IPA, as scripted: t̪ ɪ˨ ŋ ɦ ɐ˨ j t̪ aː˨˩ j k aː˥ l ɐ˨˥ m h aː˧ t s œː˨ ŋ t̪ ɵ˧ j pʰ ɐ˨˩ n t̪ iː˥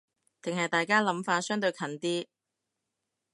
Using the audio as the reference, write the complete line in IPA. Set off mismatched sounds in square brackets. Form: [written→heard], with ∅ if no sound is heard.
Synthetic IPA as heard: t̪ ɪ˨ ŋ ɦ ɐ˨ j t̪ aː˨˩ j k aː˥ l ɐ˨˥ m [h→f] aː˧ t s [œː˨→œː˥] ŋ t̪ ɵ˧ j [pʰ→kʰ] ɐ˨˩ n t̪ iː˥